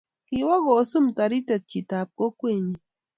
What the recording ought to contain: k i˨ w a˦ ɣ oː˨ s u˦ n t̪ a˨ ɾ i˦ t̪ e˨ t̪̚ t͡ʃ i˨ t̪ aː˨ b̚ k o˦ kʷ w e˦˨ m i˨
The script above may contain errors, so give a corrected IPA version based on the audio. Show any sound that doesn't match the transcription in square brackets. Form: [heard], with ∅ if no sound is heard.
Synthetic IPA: k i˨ w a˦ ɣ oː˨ s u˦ [m] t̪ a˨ ɾ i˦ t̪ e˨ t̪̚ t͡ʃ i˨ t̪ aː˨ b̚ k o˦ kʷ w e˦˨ [ɲ] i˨